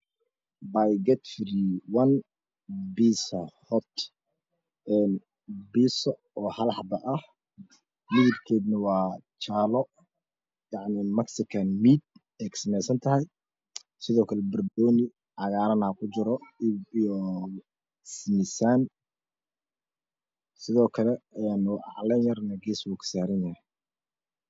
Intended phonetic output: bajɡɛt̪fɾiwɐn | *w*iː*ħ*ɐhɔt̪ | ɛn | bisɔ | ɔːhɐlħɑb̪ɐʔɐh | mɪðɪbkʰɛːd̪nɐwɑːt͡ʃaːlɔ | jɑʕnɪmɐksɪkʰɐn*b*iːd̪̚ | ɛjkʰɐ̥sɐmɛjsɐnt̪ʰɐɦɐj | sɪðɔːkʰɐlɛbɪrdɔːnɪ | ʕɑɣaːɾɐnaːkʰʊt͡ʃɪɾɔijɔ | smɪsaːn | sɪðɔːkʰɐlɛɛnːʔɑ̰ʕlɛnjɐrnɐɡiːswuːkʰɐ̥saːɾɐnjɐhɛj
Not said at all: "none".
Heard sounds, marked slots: b, s, m

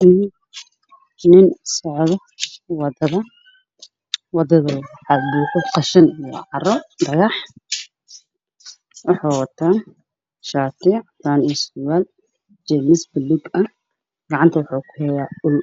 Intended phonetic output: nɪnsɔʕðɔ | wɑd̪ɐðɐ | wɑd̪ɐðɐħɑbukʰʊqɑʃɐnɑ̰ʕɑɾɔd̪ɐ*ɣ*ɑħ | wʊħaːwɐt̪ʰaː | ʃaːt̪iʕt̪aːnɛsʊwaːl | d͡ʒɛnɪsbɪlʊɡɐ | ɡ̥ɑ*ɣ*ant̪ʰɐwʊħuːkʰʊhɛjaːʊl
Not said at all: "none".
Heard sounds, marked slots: ɣ, ʕ

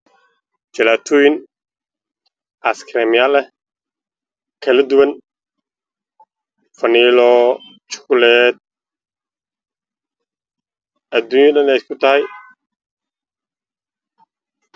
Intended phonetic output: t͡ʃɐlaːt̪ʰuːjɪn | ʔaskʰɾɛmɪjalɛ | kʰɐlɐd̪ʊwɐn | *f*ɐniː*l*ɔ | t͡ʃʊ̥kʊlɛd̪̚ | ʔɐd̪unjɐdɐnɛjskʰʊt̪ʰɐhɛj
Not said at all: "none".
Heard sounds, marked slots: f, l

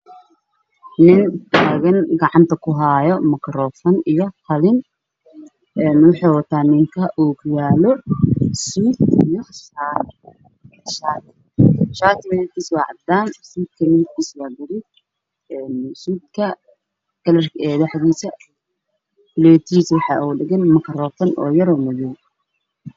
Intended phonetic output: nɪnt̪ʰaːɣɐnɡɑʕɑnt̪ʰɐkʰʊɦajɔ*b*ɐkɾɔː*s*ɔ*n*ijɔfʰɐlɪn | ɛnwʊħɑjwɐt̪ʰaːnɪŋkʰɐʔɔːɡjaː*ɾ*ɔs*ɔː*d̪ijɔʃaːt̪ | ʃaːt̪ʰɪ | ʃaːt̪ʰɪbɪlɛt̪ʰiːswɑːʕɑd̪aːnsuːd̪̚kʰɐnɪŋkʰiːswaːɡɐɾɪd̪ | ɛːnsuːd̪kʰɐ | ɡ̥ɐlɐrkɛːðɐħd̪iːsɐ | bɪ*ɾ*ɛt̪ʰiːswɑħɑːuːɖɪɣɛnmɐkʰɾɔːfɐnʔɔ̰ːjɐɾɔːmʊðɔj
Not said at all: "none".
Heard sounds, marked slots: m, f, n, l, uː, l

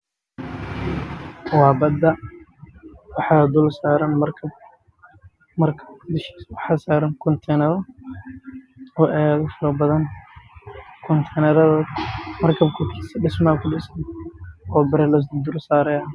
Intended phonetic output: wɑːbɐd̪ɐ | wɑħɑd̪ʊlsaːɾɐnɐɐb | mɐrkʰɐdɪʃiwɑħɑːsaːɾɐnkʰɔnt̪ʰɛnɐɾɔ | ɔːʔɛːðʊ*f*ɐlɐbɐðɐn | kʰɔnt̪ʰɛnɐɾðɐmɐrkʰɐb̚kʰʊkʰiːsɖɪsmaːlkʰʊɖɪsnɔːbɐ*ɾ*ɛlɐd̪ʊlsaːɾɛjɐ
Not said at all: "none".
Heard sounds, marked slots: f, ɾ

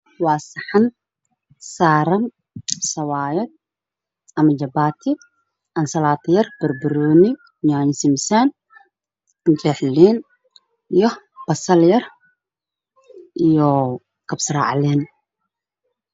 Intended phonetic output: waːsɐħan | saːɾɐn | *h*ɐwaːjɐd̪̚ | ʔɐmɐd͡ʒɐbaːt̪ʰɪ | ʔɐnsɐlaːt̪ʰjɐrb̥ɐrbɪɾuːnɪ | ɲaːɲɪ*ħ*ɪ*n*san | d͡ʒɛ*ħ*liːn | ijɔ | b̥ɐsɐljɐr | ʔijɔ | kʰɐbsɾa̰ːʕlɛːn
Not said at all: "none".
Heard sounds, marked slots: s, s, m, ħ

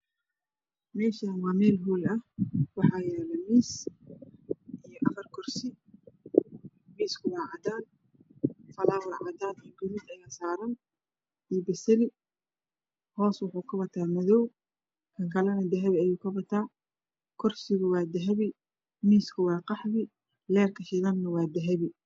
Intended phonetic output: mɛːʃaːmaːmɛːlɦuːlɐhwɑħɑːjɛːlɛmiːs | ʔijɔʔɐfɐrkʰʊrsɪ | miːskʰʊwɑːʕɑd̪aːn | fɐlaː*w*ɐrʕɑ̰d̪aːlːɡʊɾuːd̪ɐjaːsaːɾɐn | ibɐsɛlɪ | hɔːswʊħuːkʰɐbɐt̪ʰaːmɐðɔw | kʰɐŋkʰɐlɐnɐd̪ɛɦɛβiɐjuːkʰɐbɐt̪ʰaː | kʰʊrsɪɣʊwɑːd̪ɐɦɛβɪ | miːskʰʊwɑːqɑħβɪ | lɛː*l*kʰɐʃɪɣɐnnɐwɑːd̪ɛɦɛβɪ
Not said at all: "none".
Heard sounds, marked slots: w, r

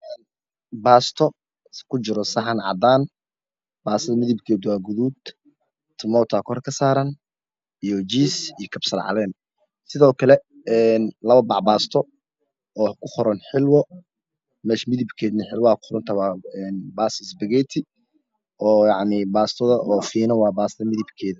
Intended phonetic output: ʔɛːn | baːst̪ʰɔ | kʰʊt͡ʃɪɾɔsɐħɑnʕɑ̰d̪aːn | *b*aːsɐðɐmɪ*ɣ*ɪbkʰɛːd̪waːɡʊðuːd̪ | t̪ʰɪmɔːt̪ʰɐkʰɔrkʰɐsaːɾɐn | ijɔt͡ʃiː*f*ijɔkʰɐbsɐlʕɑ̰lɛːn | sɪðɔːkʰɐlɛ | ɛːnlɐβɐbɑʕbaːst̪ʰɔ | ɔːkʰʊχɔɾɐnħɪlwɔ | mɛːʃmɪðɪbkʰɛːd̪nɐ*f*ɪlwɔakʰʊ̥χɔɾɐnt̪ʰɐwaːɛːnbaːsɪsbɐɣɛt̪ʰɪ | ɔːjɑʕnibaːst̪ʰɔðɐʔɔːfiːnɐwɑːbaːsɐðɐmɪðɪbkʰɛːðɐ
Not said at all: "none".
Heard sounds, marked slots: b, ð, s, ħ

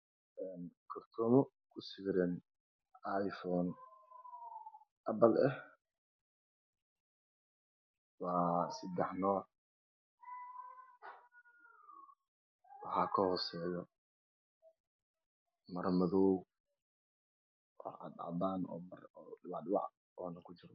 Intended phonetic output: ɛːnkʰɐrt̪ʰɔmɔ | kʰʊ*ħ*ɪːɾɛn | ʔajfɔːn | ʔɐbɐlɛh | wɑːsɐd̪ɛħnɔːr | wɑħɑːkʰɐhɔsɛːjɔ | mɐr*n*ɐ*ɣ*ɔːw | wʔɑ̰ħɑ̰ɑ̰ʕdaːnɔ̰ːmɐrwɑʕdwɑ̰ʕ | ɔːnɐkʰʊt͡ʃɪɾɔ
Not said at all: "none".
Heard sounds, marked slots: s, m, ð

